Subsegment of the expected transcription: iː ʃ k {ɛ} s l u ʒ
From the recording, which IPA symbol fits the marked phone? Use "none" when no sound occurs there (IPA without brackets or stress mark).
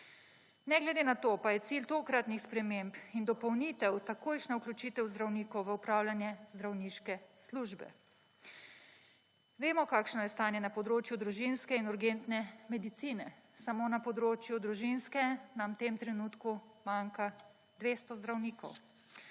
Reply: ɛ